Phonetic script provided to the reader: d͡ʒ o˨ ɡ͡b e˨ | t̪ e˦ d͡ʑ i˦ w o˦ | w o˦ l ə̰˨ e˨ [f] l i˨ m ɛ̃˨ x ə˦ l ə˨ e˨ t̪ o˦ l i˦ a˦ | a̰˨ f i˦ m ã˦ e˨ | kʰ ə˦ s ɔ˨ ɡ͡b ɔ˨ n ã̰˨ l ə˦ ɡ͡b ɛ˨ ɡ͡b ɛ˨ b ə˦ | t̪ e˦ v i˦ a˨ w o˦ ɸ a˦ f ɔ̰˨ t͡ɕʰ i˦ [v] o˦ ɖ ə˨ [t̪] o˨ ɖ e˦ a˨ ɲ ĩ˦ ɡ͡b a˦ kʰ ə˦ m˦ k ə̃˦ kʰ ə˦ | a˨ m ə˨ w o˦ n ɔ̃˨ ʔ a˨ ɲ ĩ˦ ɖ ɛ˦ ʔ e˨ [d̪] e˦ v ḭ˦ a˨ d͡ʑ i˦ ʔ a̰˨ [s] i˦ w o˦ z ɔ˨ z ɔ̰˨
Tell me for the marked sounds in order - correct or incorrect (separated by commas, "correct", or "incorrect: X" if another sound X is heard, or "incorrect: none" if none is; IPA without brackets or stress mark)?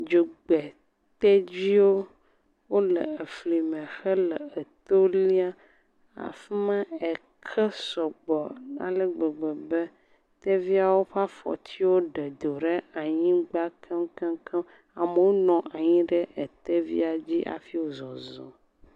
correct, incorrect: w, incorrect: d̪, incorrect: t̪, incorrect: f